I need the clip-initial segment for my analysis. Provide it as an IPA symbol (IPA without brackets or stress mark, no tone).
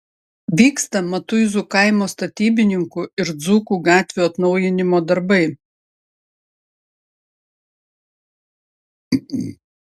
ʋʲ